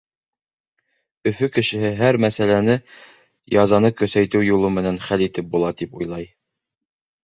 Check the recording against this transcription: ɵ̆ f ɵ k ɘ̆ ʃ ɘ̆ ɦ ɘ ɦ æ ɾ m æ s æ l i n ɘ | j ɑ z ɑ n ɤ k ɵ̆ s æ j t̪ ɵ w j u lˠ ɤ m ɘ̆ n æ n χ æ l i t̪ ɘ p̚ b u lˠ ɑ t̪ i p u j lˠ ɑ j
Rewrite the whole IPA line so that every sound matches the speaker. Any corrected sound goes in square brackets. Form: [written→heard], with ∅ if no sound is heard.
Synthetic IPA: ɵ̆ f ɵ k ɘ̆ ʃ ɘ̆ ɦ ɘ ɦ æ ɾ m æ s æ l [i→æ] n ɘ | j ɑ z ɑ n ɤ k ɵ̆ s æ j t̪ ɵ w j u lˠ ɤ m ɘ̆ n æ n χ æ l i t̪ ɘ p̚ b u lˠ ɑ t̪ i p u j lˠ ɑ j